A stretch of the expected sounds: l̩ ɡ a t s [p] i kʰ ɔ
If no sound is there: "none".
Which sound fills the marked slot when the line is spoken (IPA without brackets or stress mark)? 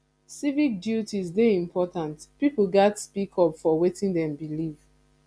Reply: p